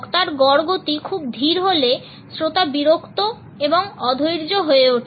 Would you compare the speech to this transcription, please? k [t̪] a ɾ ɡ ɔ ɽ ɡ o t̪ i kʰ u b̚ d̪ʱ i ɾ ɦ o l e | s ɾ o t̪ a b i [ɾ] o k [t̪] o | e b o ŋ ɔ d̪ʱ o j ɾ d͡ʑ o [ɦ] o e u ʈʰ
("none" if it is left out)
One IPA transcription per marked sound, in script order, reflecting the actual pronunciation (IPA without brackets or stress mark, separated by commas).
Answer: t̪, ɾ, t̪, ɦ